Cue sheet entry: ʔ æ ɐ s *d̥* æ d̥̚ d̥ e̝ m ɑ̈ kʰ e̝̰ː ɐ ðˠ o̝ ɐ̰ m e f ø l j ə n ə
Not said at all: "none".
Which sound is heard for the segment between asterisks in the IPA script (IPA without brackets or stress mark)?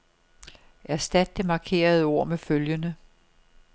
d̥